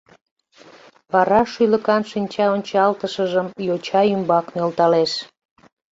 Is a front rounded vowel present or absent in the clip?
present